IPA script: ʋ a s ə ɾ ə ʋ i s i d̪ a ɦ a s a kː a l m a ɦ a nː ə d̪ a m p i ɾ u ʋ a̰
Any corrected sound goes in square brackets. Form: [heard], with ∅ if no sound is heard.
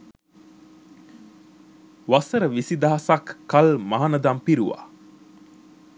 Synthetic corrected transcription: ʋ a s ə ɾ ə ʋ i s i d̪ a ɦ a s a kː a l m a ɦ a [n] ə d̪ a m p i ɾ u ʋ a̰